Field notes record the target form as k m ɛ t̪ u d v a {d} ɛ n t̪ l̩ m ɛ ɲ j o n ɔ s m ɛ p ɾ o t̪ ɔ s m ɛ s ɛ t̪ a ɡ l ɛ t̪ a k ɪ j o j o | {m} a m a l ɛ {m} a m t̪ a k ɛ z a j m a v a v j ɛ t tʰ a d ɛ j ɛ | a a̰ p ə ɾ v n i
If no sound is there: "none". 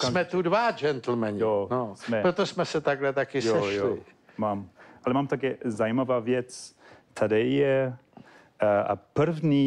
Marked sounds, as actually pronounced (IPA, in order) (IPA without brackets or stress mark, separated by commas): d͡ʒ, m, m